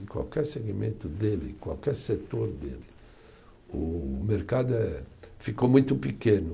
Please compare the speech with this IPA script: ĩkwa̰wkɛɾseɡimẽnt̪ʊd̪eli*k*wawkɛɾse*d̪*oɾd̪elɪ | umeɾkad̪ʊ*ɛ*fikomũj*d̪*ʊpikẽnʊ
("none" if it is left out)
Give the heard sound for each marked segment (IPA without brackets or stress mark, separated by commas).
k, t̪, ɛ, t̪